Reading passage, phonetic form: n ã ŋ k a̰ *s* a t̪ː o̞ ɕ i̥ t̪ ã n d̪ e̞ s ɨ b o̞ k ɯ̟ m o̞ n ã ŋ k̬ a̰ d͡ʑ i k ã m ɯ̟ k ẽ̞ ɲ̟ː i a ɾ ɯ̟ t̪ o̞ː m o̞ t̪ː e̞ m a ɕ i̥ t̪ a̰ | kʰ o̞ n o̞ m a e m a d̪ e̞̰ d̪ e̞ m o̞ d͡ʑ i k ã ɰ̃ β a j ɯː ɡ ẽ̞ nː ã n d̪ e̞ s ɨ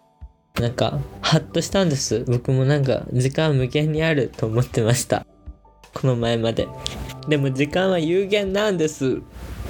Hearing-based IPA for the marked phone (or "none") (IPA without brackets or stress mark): h